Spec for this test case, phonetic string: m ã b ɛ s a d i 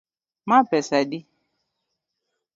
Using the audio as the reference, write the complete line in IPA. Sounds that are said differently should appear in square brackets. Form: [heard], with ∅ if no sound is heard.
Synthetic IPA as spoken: m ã [p] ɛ s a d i

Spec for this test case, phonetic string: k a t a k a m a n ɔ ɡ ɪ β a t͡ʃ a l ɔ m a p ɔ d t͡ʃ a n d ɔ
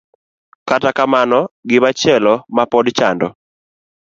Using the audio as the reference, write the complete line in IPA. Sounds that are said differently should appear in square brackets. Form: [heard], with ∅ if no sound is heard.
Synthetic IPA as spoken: k a t a k a m a n ɔ ɡ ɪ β a t͡ʃ [ɛ] l ɔ m a p ɔ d t͡ʃ a n d ɔ

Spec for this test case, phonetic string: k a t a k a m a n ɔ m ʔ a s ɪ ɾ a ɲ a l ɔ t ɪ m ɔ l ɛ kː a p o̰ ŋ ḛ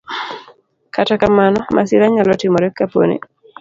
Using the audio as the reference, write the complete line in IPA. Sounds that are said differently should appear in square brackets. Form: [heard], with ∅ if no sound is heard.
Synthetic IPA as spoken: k a t a k a m a n ɔ m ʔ a s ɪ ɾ a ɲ a l ɔ t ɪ m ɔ [ɾ] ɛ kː a p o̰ [n] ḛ

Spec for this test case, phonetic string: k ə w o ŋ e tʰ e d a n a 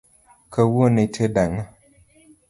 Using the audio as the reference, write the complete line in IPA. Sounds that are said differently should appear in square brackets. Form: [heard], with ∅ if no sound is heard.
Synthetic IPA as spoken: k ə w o [n] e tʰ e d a [ŋ] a

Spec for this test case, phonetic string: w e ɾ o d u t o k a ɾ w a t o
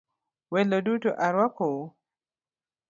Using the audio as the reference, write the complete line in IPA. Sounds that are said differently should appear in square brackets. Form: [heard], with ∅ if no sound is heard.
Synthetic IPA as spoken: w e [l] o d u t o [ʔ] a ɾ w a [k] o

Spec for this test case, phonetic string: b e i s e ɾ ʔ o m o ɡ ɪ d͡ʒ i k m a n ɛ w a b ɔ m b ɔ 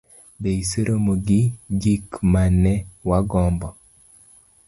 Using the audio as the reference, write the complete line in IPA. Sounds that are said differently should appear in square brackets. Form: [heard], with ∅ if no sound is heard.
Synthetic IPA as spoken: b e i s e ɾ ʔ o m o ɡ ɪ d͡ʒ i k m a n ɛ w a [ɡ] ɔ m b ɔ

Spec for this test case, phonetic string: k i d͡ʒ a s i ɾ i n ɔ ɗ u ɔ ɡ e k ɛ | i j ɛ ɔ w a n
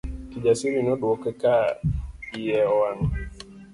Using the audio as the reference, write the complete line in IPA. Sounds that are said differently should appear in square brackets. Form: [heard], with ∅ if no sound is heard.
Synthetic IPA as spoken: k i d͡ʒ a s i ɾ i n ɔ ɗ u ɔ [k] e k [a] | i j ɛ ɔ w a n

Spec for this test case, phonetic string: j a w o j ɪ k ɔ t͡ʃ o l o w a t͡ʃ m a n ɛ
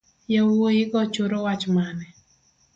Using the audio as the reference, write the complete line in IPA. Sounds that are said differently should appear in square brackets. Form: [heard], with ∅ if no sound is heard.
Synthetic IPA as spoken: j a w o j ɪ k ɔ t͡ʃ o [ɾ] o w a t͡ʃ m a n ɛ

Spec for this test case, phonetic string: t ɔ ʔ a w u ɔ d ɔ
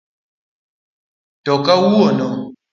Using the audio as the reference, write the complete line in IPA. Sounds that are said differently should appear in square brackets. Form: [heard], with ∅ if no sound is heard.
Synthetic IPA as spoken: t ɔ [k] a w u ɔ [n] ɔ

